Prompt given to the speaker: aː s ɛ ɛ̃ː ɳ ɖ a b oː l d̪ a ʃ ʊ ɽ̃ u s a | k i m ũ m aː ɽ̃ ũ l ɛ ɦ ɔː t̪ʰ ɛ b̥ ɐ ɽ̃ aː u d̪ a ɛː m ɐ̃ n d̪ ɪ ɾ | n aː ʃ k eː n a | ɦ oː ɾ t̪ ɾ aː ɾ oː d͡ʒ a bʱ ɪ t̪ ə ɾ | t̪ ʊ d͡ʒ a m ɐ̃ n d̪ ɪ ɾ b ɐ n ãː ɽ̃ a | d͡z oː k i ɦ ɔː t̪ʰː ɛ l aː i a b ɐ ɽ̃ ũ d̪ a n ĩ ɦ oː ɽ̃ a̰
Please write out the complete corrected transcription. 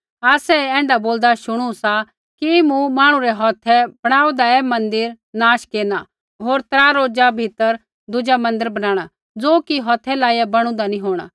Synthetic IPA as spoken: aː s ɛ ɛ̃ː ɳ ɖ a b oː l d̪ a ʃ ʊ ɽ̃ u s a | k i m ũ m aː ɽ̃ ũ ɾ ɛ ɦ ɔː t̪ʰ ɛ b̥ ɐ ɽ̃ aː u d̪ a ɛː m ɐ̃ n d̪ ɪ ɾ | n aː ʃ k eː n a | ɦ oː ɾ t̪ ɾ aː ɾ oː d͡ʒ a bʱ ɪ t̪ ə ɾ | d̪ ʊ d͡ʒ a m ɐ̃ n d̪ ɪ ɾ b ɐ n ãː ɽ̃ a | d͡z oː k i ɦ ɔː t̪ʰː ɛ l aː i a b ɐ ɽ̃ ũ d̪ a n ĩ ɦ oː ɽ̃ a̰